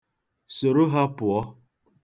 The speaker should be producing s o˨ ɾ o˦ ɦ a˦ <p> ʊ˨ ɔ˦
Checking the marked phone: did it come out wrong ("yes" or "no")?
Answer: no